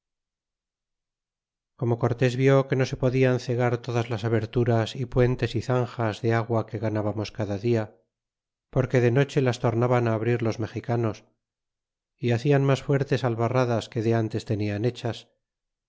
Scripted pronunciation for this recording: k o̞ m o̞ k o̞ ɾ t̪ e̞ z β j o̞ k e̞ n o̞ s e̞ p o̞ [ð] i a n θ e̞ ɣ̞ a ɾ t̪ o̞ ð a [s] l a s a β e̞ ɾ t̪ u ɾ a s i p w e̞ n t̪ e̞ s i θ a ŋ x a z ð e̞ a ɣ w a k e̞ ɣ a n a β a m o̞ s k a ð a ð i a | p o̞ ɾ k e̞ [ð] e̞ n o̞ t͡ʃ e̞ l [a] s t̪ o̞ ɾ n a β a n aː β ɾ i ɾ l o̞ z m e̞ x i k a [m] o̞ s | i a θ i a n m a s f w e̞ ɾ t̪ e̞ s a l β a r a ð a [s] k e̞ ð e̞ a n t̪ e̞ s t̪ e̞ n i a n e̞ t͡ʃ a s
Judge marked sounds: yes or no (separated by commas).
yes, no, yes, yes, no, yes